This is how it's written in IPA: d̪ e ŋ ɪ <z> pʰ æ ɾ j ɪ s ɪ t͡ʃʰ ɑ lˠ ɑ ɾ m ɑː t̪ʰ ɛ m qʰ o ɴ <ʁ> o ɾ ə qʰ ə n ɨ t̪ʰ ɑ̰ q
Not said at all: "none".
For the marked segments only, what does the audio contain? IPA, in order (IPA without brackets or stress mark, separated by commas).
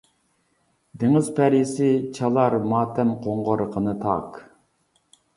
z, ʁ